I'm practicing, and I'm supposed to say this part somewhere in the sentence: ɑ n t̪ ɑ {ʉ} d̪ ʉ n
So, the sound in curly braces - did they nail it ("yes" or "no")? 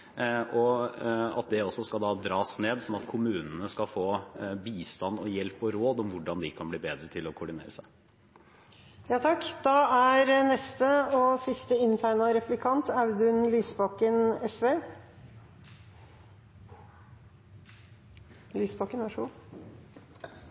yes